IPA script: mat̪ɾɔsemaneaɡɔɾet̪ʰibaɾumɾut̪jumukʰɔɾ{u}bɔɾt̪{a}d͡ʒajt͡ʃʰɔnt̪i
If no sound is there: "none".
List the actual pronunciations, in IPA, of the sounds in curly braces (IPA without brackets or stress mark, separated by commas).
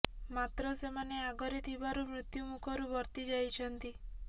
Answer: u, i